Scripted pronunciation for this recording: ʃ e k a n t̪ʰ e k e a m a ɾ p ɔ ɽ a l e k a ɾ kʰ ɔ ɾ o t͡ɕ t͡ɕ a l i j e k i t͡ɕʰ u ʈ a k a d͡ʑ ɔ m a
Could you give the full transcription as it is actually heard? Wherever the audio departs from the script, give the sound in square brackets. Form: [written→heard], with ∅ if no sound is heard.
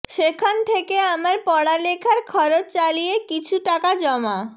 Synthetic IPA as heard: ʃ e [k→kʰ] a n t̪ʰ e k e a m a ɾ p ɔ ɽ a l e [k→kʰ] a ɾ kʰ ɔ ɾ o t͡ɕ t͡ɕ a l i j e k i t͡ɕʰ u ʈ a k a d͡ʑ ɔ m a